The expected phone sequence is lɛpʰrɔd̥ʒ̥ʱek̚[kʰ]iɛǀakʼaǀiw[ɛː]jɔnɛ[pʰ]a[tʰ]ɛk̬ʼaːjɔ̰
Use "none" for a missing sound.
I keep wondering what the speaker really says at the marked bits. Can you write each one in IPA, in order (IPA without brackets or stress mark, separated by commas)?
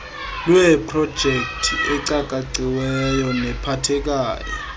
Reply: tʰ, ɛ, pʰ, tʰ